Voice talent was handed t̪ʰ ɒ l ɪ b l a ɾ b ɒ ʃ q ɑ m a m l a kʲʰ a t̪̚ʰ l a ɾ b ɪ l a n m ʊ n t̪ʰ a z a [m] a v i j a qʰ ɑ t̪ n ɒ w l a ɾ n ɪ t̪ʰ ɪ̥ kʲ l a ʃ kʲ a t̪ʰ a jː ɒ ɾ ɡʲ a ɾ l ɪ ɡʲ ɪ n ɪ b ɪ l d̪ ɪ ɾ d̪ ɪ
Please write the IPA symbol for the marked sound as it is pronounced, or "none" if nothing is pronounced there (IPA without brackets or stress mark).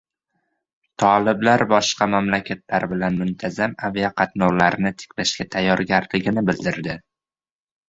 m